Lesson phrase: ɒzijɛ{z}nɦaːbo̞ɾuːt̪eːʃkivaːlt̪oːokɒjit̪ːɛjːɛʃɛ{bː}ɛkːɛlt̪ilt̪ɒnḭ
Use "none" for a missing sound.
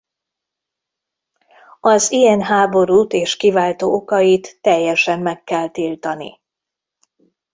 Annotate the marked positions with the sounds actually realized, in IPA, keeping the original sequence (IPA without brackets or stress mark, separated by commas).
none, mː